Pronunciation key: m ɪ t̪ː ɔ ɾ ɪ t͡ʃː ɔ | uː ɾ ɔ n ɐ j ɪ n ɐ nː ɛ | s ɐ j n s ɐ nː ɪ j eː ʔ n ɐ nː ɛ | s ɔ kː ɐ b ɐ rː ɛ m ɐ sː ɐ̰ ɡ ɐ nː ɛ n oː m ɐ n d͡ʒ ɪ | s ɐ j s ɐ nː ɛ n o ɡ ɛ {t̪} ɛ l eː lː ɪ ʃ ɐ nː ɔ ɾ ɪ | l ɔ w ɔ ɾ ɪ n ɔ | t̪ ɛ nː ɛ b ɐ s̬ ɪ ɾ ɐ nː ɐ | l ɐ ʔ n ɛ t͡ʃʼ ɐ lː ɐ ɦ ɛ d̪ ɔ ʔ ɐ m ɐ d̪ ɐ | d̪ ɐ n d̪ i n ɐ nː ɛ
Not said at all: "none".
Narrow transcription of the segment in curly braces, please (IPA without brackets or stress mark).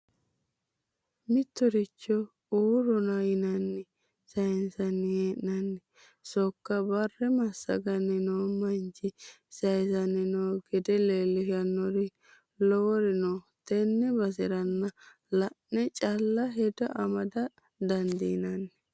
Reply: d̪